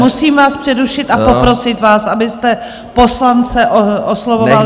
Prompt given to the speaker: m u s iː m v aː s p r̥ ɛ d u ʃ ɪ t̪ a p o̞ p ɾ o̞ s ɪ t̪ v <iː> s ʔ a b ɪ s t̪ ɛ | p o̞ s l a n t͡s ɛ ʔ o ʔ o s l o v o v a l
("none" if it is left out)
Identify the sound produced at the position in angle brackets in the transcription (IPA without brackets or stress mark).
aː